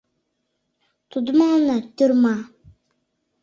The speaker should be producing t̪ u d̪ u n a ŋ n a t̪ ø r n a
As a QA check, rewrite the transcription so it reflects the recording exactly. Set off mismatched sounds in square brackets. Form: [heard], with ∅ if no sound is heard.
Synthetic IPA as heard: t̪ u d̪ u [m] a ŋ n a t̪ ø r [m] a